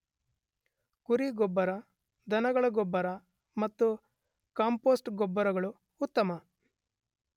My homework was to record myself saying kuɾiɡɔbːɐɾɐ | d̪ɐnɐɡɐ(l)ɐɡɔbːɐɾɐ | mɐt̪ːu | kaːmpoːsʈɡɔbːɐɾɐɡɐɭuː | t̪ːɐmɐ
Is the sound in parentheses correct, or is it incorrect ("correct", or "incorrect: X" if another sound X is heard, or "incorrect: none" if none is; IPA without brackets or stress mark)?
incorrect: ɭ